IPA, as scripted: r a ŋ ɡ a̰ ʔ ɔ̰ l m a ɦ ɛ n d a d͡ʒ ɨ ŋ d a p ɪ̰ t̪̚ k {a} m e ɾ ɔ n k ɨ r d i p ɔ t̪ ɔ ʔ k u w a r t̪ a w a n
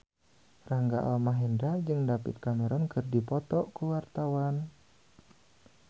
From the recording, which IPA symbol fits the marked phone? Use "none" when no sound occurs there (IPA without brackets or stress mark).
a